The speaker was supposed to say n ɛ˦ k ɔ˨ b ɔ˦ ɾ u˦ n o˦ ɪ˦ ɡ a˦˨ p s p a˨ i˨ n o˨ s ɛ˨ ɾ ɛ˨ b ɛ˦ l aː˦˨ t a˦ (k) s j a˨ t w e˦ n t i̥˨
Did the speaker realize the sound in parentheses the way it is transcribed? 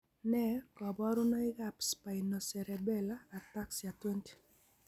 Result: yes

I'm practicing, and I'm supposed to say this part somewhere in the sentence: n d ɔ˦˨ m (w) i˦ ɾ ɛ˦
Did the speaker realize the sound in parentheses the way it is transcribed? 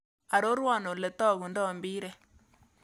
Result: no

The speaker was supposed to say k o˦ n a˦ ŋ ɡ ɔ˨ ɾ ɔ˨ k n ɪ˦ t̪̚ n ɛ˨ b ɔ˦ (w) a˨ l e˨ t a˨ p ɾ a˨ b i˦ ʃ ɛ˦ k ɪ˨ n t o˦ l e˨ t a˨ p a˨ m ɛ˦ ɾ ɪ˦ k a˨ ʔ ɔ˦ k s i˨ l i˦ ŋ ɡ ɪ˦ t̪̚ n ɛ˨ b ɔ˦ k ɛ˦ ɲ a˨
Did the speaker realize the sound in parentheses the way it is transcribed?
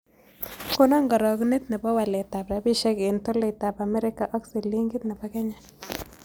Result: yes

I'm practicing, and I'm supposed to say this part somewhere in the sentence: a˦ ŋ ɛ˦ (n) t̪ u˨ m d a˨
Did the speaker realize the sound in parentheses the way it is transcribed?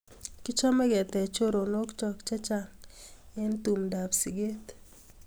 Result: yes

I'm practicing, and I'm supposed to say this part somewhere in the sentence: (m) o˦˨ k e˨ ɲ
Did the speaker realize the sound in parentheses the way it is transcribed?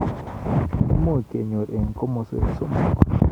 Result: yes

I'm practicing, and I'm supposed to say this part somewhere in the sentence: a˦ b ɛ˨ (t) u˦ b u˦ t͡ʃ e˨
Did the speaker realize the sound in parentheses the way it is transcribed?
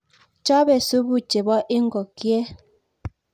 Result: no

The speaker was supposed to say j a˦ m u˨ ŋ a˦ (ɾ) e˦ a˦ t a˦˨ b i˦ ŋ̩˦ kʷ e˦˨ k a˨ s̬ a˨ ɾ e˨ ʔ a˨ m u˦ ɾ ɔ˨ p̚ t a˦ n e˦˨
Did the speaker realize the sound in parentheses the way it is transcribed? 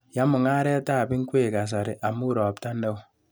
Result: yes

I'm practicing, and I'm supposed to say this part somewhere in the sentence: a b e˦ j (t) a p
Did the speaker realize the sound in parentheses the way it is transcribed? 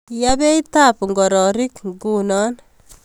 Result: yes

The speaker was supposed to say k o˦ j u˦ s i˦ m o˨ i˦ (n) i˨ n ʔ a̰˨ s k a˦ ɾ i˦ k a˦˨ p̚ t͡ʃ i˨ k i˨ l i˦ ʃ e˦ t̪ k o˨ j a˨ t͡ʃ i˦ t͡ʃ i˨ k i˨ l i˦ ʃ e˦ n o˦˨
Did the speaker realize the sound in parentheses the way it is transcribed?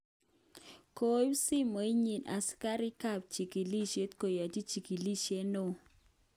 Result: no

